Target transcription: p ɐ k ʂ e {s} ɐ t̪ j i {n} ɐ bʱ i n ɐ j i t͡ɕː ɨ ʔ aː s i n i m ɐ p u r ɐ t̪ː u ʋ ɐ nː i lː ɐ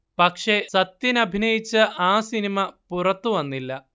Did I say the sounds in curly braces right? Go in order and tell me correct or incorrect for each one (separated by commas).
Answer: correct, correct